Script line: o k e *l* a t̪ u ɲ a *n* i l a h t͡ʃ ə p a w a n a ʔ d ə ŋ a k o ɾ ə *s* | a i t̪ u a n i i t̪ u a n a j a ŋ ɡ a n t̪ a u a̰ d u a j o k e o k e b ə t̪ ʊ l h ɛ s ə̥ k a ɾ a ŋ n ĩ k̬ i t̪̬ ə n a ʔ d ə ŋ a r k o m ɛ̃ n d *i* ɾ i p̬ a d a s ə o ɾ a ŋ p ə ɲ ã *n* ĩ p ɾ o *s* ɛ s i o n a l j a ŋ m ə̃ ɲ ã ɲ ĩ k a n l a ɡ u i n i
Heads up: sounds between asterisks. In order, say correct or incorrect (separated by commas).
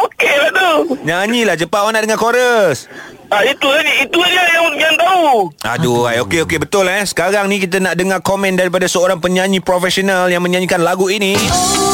correct, incorrect, correct, incorrect, incorrect, incorrect